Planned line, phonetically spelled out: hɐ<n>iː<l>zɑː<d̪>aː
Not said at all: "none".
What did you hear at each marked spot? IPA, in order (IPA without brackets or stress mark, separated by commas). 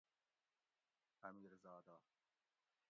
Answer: m, ɾ, d̪